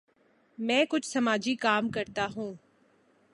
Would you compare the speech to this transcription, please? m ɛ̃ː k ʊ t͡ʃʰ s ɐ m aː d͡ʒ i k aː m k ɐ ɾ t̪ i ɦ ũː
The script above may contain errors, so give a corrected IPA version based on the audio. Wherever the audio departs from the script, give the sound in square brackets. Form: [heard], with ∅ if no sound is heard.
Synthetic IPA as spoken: m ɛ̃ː k ʊ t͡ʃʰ s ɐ m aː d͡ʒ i k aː m k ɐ ɾ t̪ [a] ɦ ũː